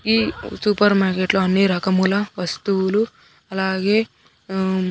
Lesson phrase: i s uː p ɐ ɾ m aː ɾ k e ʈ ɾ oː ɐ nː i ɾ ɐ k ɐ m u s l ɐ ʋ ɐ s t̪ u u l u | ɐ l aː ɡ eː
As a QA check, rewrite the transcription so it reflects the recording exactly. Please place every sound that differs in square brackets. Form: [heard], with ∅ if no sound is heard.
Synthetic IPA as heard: i s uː p ɐ ɾ m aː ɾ k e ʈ [l] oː ɐ nː i ɾ ɐ k ɐ m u [∅] l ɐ ʋ ɐ s t̪ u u l u | ɐ l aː ɡ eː